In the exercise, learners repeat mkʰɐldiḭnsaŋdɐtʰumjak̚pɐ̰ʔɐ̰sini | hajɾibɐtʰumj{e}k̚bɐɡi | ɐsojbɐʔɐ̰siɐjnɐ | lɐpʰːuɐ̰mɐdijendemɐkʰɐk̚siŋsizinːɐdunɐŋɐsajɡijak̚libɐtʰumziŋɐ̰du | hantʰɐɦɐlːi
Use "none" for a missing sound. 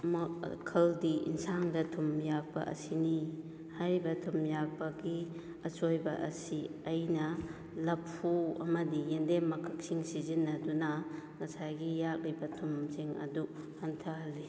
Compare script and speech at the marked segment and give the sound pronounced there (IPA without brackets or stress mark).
a